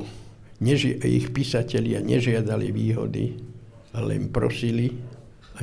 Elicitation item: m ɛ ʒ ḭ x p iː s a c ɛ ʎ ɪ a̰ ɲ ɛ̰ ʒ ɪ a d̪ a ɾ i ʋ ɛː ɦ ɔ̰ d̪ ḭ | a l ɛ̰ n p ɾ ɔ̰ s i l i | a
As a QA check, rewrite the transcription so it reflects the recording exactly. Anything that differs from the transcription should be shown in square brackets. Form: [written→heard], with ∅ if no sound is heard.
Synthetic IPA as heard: [m→ɲ] ɛ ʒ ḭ x p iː s a c ɛ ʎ ɪ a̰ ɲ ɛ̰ ʒ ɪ a d̪ a [ɾ→l] i ʋ [ɛː→iː] ɦ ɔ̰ d̪ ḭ | a l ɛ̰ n p ɾ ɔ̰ s i l i | a